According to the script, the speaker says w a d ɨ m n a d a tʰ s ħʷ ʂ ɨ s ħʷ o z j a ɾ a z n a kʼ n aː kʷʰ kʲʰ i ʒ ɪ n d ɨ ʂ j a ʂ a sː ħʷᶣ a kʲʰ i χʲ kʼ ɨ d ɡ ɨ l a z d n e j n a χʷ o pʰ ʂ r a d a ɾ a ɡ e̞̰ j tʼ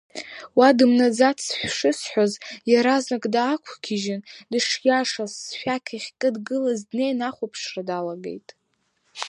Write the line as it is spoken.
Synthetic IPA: w a d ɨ m n a d͡z a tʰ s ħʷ ʂ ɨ s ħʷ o z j a ɾ a z n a kʼ d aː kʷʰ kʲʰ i ʒ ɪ n d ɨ ʂ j a ʂ a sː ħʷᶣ a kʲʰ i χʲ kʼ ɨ d ɡ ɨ l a z d n e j n a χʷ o pʰ ʂ r a d a l a ɡ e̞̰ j tʼ